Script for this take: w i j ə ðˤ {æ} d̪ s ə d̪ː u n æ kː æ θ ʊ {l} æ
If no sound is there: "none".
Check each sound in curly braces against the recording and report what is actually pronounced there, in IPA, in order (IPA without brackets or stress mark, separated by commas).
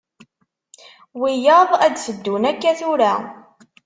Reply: æ, ɾ